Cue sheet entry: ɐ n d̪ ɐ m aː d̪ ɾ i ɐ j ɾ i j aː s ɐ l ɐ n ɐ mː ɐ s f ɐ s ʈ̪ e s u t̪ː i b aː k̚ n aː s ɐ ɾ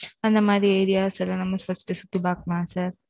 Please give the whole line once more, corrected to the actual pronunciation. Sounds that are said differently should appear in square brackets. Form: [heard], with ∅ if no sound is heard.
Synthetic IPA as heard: ɐ n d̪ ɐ m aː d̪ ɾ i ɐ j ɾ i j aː s ɐ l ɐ n ɐ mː ɐ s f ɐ s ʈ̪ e s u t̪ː i b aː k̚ [m] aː s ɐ ɾ